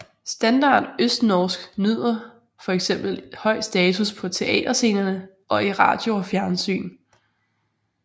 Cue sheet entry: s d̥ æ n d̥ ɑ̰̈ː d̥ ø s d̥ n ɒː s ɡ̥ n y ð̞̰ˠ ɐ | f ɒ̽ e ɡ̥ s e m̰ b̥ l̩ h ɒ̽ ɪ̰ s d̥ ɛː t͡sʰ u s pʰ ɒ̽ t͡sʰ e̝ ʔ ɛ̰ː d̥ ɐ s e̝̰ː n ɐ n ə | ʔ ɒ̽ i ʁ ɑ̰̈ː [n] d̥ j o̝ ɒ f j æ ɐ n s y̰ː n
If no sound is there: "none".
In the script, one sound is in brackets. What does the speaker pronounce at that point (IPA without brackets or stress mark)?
none